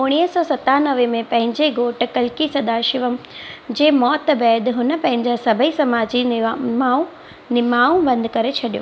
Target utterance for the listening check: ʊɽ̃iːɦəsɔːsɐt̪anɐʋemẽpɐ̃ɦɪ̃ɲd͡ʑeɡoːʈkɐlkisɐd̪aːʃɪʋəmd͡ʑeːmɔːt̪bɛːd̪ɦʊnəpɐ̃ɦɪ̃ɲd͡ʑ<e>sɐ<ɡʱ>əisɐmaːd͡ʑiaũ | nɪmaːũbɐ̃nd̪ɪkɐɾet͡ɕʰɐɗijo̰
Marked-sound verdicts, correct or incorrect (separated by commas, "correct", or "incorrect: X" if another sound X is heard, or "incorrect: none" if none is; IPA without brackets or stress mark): incorrect: a, incorrect: bʱ